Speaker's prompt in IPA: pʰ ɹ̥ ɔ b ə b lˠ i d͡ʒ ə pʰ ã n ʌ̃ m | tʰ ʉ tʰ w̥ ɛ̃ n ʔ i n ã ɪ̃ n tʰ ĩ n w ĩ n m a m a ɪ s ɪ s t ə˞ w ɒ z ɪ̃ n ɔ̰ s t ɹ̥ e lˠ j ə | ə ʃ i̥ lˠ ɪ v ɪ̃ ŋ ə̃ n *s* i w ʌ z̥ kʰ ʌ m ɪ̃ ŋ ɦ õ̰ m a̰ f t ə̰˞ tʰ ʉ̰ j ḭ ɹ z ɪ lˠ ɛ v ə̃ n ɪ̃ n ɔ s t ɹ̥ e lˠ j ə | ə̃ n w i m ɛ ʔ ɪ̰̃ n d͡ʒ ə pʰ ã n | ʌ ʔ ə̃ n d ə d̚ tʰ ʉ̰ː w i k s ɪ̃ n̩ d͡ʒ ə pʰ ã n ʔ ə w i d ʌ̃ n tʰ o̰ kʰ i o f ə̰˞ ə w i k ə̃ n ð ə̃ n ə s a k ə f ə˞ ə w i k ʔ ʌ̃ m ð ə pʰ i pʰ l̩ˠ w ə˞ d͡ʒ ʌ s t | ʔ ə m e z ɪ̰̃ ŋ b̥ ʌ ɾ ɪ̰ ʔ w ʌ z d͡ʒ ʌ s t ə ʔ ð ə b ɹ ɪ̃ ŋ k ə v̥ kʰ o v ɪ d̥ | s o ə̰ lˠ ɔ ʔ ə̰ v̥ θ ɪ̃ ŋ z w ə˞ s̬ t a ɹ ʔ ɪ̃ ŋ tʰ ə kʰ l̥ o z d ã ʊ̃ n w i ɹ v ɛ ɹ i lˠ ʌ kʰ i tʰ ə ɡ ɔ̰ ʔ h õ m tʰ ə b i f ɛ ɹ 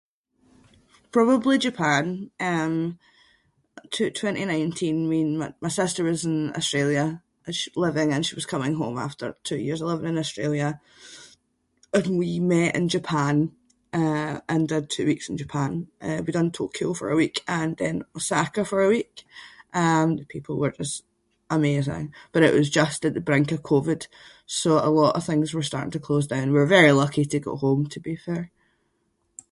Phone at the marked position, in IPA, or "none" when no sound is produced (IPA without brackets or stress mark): ʃ